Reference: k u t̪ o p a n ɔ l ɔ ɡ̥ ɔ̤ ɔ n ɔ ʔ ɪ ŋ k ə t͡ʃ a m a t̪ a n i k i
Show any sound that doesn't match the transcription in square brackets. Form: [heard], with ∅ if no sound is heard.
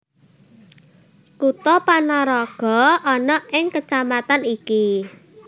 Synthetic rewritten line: k u t̪ [ɔ] p a n ɔ [ɾ] ɔ ɡ̥ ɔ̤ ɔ n ɔ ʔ ɪ ŋ k ə t͡ʃ a m a t̪ a n i k i